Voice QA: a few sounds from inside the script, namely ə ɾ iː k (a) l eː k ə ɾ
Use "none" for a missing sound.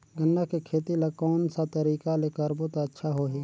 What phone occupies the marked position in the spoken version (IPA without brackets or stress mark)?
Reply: a